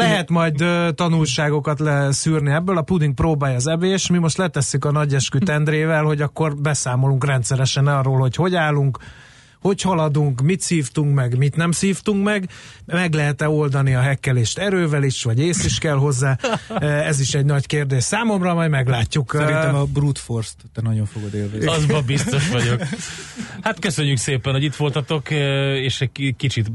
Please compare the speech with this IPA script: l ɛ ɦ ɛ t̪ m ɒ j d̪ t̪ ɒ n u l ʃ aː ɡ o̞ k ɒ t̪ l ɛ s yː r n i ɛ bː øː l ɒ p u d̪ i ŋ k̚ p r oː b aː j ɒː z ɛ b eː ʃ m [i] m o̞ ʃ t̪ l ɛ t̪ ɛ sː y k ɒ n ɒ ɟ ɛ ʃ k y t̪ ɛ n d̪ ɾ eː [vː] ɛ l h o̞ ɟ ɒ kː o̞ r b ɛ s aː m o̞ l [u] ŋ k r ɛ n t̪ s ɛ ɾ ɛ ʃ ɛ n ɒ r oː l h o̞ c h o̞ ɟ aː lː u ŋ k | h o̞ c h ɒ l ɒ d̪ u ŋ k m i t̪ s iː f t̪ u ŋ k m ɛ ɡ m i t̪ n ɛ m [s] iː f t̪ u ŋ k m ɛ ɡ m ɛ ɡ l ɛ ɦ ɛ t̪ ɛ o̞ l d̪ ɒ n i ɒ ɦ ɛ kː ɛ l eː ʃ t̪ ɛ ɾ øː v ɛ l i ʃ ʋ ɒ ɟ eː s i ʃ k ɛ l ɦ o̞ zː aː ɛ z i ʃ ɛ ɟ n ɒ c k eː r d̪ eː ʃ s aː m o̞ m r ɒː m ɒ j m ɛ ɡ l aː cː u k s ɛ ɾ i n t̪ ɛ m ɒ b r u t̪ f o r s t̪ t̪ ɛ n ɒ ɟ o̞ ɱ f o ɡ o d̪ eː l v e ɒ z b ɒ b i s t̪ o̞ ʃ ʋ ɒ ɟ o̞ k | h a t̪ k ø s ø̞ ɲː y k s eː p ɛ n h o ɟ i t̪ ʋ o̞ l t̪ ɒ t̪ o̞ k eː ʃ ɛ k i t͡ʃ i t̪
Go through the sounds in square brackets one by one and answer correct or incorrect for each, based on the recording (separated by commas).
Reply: correct, incorrect, correct, correct